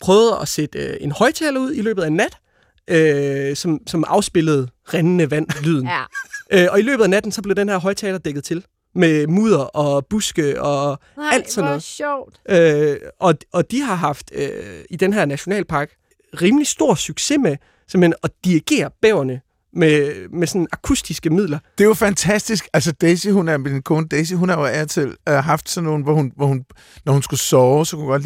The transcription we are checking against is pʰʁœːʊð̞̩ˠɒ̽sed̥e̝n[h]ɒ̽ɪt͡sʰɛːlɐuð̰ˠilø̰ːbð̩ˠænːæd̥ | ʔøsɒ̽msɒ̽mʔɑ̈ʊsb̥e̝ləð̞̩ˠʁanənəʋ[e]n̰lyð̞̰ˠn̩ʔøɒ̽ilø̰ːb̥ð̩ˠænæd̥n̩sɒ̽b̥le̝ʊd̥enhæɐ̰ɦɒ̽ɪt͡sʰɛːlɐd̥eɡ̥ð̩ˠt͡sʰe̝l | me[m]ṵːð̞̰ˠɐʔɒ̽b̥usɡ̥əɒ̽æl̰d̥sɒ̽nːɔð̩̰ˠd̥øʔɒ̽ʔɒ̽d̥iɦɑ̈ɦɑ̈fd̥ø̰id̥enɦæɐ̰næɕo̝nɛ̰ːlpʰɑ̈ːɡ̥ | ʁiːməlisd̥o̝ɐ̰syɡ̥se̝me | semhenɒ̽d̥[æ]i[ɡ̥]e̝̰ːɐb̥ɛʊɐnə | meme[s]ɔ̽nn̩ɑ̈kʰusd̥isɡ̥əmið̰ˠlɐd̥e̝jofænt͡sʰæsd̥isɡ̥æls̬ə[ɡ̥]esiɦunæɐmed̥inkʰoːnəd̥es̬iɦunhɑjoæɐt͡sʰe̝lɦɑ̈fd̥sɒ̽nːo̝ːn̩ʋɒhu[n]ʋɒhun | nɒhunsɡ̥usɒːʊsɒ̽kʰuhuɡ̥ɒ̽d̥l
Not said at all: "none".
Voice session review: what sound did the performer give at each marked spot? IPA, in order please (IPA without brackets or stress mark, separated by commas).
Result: h, æ, m, i, ɡ̥, s, d̥, n